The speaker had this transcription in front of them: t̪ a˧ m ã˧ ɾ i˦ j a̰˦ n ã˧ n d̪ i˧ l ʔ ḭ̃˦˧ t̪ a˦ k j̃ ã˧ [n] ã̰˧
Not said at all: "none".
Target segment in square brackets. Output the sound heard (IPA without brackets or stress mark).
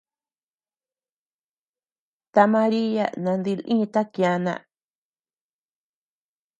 n